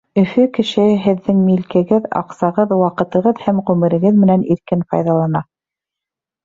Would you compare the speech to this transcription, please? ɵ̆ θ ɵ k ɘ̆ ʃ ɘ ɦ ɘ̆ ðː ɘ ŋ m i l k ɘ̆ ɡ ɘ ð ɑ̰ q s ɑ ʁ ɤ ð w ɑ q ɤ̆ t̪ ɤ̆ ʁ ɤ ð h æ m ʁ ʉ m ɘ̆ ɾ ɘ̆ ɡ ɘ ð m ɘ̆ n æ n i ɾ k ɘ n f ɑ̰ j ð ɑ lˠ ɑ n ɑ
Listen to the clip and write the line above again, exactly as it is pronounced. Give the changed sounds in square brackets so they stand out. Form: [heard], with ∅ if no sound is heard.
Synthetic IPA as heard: ɵ̆ [f] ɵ k ɘ̆ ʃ ɘ ɦ ɘ̆ ðː ɘ ŋ m i l k ɘ̆ ɡ ɘ ð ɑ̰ q s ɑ ʁ ɤ ð w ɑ q ɤ̆ t̪ ɤ̆ ʁ ɤ ð h æ m ʁ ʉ m ɘ̆ ɾ ɘ̆ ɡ ɘ ð m ɘ̆ n æ n i ɾ k ɘ n f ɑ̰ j ð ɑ lˠ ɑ n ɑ